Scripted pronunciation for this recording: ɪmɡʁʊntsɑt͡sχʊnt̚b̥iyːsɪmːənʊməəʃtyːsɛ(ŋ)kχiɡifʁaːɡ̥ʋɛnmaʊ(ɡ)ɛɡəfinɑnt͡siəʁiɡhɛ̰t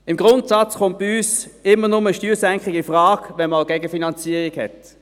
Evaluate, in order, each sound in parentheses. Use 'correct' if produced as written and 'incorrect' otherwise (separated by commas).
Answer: correct, correct